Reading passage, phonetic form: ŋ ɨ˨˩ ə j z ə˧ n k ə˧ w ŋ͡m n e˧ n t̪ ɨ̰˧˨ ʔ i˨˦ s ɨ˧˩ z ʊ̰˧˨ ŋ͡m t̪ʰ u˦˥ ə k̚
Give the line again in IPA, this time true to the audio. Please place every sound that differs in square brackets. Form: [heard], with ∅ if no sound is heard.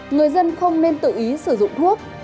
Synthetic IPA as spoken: ŋ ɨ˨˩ ə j z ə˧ n [x] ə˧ w ŋ͡m n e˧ n t̪ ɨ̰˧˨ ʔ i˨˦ s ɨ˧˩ z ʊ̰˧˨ ŋ͡m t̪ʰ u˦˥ ə k̚